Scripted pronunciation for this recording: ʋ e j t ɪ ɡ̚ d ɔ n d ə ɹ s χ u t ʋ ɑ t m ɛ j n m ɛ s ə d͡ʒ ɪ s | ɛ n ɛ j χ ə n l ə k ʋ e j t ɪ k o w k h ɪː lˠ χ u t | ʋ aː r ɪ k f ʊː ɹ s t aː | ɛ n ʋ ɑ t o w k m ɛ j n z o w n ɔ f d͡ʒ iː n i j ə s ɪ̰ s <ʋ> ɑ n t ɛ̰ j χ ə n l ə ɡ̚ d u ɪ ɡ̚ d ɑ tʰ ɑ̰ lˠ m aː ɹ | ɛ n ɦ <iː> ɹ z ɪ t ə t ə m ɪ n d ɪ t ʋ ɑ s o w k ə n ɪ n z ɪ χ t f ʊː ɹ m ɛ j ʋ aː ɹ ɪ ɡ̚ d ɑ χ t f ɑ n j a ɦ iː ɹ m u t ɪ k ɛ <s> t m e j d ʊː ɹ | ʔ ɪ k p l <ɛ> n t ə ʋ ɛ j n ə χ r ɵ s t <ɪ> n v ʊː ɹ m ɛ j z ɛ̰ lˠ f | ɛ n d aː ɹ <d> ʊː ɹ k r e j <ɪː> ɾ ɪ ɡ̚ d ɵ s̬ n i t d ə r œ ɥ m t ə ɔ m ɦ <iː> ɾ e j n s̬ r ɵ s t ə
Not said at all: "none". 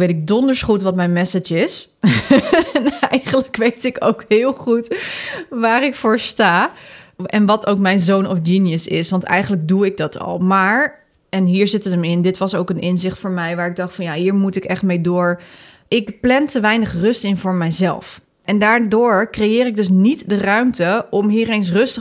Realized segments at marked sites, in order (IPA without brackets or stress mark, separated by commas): ʋ, iː, χ, ɛ, ɪ, d, ɪː, iː